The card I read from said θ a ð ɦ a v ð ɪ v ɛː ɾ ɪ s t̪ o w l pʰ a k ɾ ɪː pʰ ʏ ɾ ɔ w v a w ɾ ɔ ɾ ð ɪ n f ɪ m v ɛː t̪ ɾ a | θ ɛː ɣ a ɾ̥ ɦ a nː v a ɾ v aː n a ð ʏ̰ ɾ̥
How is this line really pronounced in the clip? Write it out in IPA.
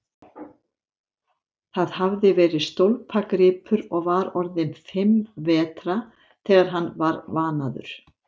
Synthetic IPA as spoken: θ a ð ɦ a v ð ɪ v ɛː ɾ ɪ s t̪ o w l pʰ a k ɾ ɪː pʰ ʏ ɾ ɔ ɣ v a ɾ ɔ ɾ ð ɪ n f ɪ m v ɛː t̪ ɾ a | θ ɛː ɣ a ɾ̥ ɦ a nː v a ɾ v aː n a ð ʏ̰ ɾ̥